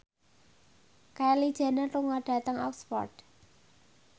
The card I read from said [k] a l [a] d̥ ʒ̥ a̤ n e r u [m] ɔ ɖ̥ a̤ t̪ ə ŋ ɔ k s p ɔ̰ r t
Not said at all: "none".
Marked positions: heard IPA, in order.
k, i, ŋ

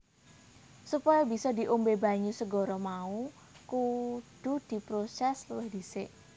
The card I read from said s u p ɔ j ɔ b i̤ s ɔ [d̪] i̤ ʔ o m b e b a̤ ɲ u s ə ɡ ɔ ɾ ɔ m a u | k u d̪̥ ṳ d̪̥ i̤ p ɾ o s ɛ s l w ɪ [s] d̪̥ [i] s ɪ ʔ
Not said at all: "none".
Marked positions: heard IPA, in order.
d̪, h, i

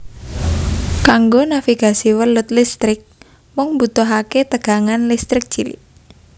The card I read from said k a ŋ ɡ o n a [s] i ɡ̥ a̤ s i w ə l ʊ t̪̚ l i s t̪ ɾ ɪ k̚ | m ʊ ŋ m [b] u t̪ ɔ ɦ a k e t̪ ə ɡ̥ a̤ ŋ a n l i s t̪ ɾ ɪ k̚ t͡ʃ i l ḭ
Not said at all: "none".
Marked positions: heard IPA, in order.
f, b

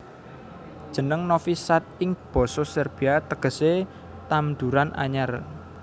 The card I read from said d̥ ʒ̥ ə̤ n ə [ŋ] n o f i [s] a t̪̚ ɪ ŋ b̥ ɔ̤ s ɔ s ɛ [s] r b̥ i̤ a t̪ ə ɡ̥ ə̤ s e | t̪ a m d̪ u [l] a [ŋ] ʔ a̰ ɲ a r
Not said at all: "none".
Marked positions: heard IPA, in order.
ŋ, s, none, ɾ, n

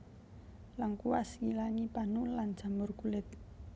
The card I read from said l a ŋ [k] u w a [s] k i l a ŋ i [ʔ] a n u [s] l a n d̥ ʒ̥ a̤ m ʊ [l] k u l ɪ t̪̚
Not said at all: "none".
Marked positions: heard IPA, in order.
k, s, p, none, r

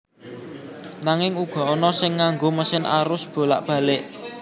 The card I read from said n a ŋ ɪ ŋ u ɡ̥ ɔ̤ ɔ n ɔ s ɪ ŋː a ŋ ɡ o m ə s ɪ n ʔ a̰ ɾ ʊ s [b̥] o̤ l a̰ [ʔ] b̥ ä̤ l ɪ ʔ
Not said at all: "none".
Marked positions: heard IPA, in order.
b̥, ʔ

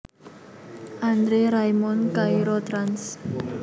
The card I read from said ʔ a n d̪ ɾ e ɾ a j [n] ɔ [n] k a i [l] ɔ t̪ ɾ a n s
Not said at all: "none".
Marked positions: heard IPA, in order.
m, n, ɾ

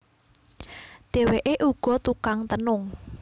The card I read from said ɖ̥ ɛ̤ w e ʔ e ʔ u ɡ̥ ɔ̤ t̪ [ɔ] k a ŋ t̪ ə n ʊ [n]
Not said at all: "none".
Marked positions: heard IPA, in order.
u, ŋ

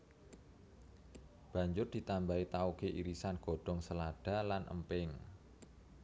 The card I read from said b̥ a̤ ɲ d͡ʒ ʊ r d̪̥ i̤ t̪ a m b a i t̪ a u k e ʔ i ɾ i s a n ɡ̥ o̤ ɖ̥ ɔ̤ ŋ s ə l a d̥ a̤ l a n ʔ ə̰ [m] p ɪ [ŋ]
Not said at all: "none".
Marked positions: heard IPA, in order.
m, ŋ

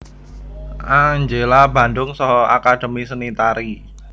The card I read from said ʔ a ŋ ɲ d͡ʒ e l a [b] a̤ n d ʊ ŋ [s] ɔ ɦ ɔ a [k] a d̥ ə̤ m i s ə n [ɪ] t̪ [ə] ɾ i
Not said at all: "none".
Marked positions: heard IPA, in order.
b, s, k, i, a

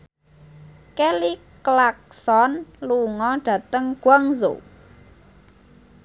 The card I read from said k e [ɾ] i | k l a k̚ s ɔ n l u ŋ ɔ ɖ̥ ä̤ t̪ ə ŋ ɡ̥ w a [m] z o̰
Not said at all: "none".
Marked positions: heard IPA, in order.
l, ŋ

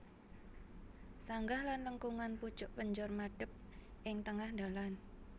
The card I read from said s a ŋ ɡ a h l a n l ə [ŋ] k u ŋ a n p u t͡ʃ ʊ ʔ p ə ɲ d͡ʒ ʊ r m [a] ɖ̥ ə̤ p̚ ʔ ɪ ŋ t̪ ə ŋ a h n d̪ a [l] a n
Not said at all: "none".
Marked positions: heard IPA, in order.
ŋ, a, l

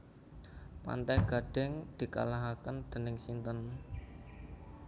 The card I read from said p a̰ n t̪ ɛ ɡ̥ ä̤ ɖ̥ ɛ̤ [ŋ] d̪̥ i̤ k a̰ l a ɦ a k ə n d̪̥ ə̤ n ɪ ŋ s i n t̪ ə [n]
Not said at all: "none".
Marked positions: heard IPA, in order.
ŋ, n

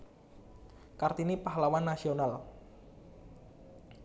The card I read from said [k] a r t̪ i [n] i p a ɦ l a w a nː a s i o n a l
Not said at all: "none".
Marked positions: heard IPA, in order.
k, n

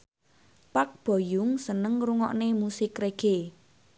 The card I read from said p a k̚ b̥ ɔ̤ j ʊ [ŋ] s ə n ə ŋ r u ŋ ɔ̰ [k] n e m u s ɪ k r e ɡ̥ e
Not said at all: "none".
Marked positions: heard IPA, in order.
ŋ, ʔ

